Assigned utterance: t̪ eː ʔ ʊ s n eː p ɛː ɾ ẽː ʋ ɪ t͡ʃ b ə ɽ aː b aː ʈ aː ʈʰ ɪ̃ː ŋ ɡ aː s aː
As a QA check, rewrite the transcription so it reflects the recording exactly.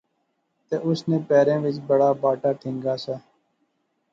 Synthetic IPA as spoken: t̪ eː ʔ ʊ s n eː p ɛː ɾ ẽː ʋ ɪ t͡ʃ b ə ɽ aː b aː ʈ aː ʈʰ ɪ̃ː ŋ ɡ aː s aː